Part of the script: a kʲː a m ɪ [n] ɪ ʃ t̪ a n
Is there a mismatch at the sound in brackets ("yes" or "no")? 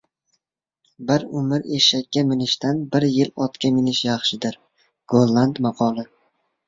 no